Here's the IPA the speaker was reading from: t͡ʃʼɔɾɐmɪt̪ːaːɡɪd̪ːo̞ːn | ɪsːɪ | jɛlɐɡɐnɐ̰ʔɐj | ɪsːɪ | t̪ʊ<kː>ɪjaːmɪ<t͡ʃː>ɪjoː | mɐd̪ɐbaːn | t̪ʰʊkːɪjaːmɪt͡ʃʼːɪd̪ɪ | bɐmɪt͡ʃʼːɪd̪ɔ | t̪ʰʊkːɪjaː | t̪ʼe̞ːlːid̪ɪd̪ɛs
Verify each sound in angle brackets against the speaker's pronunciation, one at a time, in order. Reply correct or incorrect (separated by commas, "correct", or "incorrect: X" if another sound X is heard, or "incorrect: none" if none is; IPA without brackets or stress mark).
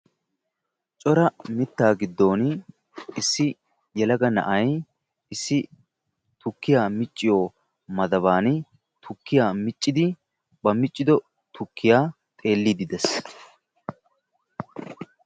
correct, incorrect: t͡ʃʼː